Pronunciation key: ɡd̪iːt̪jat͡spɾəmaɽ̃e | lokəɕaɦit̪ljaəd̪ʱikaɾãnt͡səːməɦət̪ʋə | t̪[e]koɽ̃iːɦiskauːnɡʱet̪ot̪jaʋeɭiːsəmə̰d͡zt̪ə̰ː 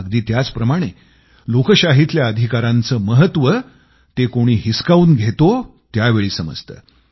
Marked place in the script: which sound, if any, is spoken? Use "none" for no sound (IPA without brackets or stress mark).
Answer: e